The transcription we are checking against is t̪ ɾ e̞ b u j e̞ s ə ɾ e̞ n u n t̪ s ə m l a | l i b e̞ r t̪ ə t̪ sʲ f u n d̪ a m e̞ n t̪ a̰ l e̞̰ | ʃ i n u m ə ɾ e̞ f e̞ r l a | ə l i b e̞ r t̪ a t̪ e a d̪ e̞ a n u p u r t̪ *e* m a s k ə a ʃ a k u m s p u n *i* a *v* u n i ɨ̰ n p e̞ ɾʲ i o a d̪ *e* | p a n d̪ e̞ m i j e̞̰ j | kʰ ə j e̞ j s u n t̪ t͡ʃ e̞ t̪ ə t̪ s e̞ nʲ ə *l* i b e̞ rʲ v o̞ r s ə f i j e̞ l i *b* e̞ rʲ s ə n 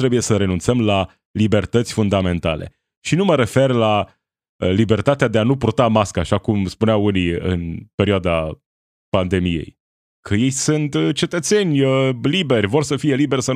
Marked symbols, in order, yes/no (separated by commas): no, no, no, no, yes, yes